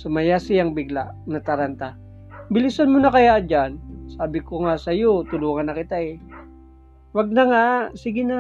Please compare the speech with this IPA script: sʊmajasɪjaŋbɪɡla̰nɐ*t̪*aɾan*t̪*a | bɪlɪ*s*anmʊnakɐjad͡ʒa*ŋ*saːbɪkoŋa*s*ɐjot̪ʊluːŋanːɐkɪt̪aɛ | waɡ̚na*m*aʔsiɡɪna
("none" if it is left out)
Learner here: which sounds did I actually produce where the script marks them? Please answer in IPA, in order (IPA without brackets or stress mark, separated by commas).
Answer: t̪, t̪, s, n, s, ŋ